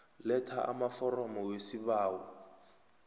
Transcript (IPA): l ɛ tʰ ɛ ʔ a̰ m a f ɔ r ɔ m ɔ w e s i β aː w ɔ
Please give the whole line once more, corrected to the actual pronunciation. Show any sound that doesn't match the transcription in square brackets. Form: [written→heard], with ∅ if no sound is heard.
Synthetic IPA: l ɛ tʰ [ɛ→a] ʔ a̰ m a f ɔ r ɔ m ɔ w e s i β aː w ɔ